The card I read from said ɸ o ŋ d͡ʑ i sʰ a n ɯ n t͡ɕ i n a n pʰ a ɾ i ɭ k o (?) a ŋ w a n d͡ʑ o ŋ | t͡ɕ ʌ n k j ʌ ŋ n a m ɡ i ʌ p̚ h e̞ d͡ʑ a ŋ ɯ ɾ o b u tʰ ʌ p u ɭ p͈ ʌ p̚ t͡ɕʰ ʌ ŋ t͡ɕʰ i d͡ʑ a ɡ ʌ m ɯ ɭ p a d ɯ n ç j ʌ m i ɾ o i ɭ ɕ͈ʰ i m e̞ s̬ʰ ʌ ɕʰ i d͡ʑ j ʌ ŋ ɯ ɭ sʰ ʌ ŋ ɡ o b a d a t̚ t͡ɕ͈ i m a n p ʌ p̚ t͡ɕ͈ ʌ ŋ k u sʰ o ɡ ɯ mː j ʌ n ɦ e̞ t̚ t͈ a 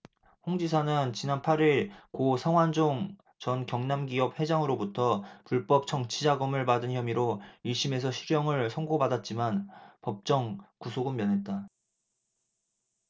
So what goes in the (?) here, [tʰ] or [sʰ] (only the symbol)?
sʰ